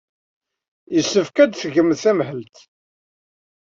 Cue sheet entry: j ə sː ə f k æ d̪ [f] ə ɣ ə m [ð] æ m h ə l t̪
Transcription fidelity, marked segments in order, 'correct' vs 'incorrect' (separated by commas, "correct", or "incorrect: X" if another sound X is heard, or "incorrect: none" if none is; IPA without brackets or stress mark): incorrect: θ, incorrect: θ